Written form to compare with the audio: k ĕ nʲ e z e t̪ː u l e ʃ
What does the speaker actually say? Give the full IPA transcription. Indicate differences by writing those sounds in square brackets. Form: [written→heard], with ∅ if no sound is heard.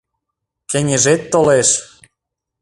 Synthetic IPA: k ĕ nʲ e [z→ʒ] e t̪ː [u→o] l e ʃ